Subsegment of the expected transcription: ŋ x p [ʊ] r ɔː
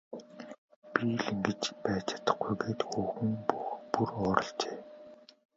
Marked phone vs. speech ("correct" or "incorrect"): incorrect